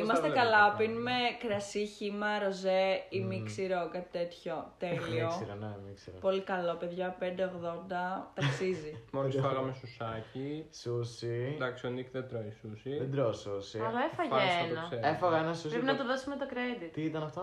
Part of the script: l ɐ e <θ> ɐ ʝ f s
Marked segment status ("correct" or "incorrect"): incorrect